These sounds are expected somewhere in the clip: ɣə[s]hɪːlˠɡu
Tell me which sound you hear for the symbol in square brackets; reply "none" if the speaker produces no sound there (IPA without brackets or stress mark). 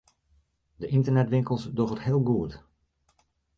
t